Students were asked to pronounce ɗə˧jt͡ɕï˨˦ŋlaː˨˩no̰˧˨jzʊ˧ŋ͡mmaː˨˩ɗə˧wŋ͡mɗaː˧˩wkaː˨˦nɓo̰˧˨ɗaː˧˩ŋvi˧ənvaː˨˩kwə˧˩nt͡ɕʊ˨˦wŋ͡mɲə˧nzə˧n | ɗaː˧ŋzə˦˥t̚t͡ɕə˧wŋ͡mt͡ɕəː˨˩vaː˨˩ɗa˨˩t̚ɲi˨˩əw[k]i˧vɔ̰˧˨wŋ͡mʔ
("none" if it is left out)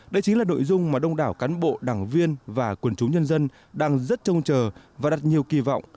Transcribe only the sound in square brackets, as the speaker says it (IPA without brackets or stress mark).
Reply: k